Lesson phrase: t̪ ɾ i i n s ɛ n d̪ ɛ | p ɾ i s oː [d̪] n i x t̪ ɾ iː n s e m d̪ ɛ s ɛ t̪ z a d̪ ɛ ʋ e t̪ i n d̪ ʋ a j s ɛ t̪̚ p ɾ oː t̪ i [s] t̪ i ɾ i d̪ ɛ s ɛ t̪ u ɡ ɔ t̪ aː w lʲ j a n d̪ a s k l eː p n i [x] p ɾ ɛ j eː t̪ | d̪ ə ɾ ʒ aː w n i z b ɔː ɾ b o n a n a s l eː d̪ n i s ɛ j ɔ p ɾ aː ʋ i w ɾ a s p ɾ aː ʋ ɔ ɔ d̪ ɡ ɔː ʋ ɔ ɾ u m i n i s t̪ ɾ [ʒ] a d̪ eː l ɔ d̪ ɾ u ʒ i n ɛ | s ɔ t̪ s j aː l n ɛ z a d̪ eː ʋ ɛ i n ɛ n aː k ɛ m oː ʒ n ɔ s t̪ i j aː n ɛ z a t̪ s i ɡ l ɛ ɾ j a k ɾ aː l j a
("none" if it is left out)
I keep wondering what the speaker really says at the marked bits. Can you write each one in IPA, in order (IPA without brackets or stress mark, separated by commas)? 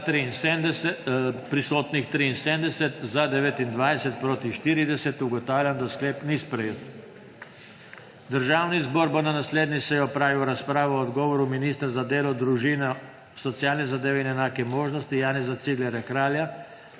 t̪, ʃ, s, z